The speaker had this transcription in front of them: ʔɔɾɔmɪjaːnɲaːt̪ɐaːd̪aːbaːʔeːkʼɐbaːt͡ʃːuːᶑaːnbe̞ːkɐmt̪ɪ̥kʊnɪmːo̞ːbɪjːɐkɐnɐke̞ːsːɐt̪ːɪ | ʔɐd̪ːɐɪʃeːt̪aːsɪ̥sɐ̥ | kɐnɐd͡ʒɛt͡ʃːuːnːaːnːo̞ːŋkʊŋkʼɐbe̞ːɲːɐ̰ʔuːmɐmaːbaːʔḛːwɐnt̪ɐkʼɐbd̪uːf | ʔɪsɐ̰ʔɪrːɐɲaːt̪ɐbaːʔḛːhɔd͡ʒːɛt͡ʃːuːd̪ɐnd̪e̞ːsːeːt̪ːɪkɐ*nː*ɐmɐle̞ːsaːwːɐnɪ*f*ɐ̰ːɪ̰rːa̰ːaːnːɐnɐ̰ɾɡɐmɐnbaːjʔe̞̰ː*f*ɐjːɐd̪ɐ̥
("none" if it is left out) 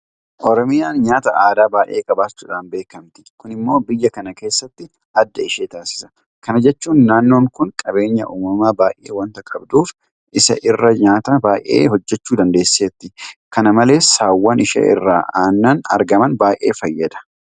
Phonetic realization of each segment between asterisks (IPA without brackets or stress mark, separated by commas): n, ʃ, f